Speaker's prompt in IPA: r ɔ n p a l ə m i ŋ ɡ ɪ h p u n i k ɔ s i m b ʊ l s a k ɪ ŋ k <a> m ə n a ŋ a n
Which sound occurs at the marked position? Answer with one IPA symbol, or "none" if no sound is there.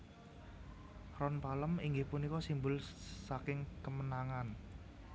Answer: ə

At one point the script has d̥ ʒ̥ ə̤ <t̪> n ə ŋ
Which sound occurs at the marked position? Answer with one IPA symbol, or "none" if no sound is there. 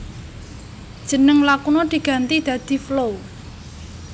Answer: none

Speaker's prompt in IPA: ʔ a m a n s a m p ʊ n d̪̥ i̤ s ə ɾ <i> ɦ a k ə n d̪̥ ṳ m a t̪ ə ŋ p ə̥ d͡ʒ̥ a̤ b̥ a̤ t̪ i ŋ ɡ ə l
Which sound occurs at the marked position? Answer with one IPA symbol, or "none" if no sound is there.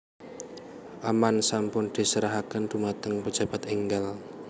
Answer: a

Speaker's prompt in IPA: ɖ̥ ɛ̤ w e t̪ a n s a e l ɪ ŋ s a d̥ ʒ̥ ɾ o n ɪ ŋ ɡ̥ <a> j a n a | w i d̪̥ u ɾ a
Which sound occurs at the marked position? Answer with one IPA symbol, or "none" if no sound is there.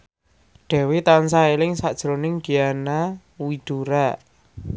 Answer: i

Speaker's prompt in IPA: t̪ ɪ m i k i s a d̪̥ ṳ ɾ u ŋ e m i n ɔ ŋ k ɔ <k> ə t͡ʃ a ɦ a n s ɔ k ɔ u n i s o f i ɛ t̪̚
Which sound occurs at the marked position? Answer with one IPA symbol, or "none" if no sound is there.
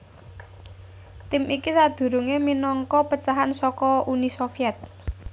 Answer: p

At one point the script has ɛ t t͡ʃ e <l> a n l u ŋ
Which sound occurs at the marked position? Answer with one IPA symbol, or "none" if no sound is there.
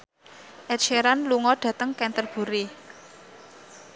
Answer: ɾ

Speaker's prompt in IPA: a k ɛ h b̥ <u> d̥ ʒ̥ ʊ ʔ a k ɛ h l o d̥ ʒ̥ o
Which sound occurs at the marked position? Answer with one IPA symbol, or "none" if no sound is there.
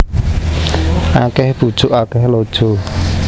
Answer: u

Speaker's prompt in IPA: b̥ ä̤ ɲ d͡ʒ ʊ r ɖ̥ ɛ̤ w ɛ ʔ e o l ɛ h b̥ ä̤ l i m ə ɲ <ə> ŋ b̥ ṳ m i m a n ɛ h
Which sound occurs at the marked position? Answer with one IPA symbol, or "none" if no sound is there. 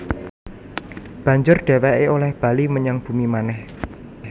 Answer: a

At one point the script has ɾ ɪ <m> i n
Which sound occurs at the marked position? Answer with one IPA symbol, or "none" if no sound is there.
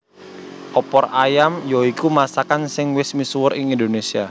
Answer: ŋ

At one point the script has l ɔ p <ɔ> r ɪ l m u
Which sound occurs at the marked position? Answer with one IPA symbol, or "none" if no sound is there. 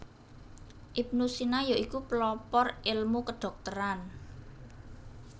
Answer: ɔ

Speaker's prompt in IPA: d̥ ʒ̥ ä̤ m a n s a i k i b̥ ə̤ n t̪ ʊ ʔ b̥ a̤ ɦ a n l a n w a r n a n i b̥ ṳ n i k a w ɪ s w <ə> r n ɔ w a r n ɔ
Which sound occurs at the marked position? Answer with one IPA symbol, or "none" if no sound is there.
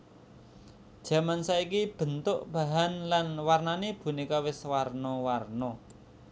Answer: a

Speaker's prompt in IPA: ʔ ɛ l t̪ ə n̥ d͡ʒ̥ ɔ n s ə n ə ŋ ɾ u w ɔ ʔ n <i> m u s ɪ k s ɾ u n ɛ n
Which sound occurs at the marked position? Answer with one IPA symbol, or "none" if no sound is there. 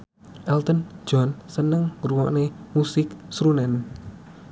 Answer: e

